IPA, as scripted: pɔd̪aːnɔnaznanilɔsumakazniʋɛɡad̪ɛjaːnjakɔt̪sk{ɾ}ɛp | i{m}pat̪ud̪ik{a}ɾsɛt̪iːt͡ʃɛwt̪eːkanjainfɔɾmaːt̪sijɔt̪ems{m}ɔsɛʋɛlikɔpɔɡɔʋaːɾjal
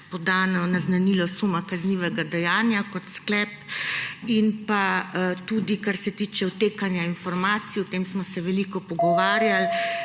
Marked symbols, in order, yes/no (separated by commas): no, no, yes, yes